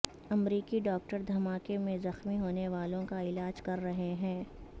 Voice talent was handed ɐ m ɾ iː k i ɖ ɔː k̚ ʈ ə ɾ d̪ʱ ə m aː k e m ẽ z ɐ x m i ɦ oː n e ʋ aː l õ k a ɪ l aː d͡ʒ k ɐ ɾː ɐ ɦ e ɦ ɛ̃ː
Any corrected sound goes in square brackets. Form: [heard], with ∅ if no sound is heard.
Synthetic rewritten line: ɐ m ɾ iː k i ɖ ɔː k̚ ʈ ə ɾ d̪ʱ [ɐ] m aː k e m ẽ z ɐ x m i ɦ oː n e ʋ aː l õ k a ɪ l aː d͡ʒ k ɐ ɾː ɐ ɦ e ɦ ɛ̃ː